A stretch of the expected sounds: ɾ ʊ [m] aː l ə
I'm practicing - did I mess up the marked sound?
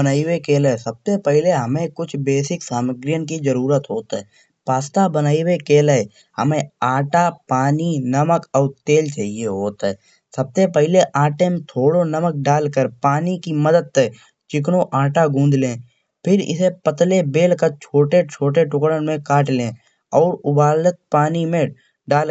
yes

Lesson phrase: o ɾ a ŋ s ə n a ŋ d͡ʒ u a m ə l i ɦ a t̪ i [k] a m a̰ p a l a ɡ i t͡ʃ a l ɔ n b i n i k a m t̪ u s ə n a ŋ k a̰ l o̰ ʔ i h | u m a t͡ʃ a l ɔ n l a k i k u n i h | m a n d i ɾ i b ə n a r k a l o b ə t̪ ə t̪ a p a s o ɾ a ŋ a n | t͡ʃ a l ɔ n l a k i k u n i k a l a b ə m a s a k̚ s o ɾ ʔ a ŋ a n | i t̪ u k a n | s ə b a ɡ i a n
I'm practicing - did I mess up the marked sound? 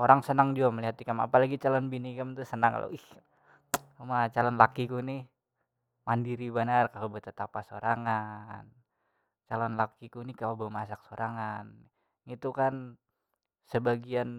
no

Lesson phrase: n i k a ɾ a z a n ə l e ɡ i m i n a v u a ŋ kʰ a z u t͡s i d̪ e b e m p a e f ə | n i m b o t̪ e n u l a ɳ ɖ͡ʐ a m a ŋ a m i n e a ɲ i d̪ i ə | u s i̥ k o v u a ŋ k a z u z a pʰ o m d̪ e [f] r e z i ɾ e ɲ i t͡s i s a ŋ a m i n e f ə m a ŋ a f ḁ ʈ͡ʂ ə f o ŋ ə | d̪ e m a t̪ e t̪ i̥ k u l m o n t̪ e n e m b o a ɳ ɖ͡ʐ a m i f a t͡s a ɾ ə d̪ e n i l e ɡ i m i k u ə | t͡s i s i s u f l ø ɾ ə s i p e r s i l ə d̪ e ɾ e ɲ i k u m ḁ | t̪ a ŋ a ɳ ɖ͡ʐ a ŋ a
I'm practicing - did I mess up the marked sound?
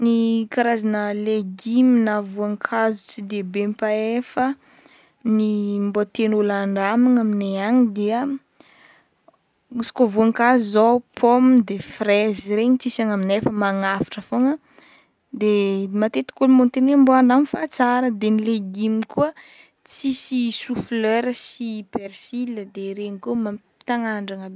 no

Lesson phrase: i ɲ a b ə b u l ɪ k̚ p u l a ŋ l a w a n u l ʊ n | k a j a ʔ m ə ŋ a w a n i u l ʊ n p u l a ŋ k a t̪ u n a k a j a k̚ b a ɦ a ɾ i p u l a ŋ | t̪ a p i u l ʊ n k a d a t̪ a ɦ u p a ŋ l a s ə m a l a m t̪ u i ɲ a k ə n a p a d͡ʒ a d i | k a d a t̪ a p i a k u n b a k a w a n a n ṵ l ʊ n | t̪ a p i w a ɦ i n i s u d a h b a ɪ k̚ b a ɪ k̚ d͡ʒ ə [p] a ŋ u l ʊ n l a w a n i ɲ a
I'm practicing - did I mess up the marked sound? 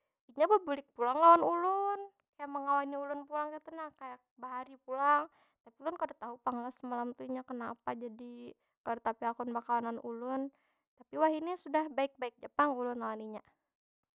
no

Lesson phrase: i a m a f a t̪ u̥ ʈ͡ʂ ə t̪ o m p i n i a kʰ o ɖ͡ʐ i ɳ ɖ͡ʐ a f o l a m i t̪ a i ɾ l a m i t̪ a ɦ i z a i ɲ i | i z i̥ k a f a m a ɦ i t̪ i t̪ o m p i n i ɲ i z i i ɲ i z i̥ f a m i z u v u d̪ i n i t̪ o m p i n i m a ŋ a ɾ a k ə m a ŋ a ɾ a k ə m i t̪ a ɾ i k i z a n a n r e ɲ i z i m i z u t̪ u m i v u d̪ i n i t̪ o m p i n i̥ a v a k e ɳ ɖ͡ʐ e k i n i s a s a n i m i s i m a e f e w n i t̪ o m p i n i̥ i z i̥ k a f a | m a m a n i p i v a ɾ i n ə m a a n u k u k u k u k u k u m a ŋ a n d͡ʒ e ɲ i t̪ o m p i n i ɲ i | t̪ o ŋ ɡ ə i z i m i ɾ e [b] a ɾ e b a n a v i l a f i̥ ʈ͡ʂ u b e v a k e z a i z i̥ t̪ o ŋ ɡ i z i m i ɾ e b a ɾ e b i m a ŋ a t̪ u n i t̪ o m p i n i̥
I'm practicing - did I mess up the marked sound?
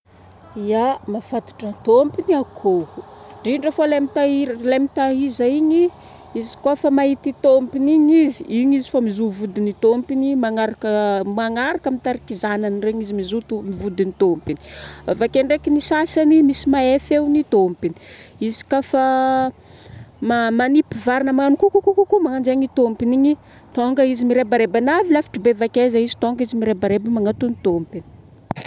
no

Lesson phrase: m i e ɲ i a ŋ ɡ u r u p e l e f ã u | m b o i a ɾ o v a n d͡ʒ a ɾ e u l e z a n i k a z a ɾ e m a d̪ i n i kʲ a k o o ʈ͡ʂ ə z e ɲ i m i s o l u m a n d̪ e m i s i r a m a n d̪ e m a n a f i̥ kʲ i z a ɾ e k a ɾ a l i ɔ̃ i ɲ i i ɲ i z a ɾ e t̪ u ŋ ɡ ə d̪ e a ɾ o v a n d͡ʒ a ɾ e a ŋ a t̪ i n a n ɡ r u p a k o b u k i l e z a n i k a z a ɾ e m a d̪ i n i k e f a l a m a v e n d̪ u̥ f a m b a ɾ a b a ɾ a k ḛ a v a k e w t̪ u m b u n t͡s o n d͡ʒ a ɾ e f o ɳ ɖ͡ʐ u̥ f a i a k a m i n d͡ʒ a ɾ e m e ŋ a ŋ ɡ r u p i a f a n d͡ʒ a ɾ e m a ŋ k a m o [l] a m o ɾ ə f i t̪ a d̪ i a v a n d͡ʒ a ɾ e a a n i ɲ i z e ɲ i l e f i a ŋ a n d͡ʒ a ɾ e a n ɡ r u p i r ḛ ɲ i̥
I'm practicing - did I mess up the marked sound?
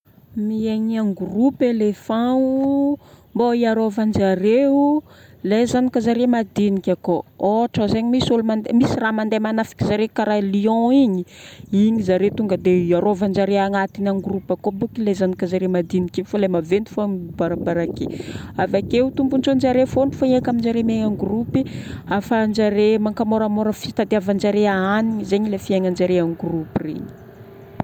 yes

